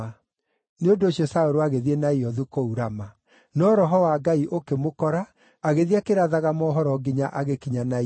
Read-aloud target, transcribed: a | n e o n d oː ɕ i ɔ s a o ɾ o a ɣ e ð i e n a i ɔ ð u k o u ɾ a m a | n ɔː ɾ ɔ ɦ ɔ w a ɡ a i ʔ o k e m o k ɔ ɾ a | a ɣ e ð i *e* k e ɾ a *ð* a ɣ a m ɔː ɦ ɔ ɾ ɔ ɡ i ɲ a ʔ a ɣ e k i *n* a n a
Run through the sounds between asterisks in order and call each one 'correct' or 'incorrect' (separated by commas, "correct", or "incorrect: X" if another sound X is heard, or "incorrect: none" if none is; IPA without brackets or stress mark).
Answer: incorrect: a, correct, incorrect: ɲ